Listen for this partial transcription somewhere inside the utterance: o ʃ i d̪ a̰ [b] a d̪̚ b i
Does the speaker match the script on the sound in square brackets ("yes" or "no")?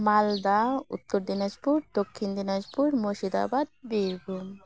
yes